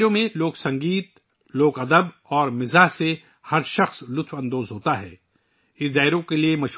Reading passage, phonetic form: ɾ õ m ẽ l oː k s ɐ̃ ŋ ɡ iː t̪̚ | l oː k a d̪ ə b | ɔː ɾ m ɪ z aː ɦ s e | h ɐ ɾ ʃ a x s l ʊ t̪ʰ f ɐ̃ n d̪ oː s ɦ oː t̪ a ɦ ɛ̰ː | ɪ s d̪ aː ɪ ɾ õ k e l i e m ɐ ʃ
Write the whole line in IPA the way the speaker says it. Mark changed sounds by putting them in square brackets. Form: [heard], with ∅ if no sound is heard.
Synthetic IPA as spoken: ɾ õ m ẽ l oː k s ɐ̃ ŋ ɡ iː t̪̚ | l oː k [ɐ] d̪ ə b | ɔː ɾ m ɪ z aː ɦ s e | h ɐ ɾ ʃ [ɐ] x s l ʊ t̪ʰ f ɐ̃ n d̪ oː [z] ɦ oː t̪ a ɦ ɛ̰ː | ɪ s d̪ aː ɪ ɾ õ k e l i e m ɐ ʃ

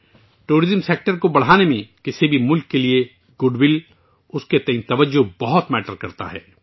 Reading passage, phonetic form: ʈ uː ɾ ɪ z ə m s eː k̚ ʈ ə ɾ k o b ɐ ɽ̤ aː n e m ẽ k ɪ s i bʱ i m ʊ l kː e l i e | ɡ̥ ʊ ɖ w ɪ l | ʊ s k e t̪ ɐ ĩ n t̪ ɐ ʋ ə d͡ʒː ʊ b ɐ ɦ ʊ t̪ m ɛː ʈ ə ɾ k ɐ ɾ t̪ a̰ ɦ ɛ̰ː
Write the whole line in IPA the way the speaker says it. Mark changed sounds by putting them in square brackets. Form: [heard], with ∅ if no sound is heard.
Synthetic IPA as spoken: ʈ uː ɾ ɪ z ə m s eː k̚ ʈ ə ɾ k o b ɐ ɽ̤ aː n e m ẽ k ɪ s i bʱ i m ʊ l kː e l i e | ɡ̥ ʊ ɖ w ɪ l | ʊ s k e t̪ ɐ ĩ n t̪ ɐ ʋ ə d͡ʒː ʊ b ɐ ɦ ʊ t̪ m ɛː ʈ ə ɾ k ɐ ɾ t̪ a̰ ɦ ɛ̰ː

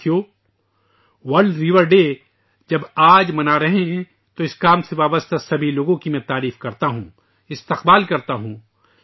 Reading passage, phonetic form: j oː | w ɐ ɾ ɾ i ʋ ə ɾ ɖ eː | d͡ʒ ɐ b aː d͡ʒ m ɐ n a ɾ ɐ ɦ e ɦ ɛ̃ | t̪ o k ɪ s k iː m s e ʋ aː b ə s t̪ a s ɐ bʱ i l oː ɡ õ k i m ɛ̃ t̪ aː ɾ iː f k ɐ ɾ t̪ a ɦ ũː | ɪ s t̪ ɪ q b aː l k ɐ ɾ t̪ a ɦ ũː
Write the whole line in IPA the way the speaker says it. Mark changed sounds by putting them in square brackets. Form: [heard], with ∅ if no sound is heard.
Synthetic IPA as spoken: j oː | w ɐ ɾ ɾ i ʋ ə ɾ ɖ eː | d͡ʒ ɐ b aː d͡ʒ m ɐ n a ɾ ɐ ɦ e ɦ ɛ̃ | t̪ o [∅] ɪ s k [aː] m s e ʋ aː b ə s t̪ a s ɐ bʱ i l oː ɡ õ k i m ɛ̃ t̪ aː ɾ iː f k ɐ ɾ t̪ a ɦ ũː | ɪ s t̪ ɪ q b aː l k ɐ ɾ t̪ a ɦ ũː

